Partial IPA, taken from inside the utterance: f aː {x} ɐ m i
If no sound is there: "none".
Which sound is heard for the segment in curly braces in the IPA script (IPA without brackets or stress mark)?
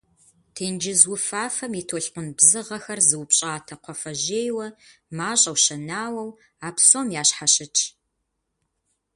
f